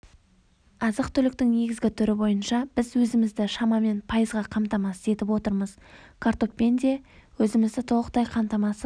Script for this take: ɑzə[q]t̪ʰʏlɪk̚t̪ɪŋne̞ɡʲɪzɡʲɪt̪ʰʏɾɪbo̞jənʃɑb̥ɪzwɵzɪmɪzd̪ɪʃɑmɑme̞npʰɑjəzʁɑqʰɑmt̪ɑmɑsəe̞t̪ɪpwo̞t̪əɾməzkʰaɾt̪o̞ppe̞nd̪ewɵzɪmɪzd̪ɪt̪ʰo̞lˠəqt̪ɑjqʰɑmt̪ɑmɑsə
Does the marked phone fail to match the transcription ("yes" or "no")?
no